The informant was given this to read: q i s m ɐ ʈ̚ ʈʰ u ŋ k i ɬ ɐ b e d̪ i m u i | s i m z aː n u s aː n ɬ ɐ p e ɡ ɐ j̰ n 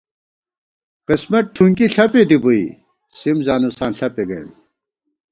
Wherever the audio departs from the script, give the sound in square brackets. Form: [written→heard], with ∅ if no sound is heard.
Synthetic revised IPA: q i s m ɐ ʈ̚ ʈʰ u ŋ k i ɬ ɐ [b→p] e d̪ i [m→b] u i | s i m z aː n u s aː n ɬ ɐ p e ɡ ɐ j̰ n